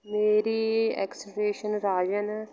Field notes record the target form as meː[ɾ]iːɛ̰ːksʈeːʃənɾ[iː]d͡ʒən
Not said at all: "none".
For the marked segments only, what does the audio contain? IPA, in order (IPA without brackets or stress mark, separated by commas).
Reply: ɾ, aː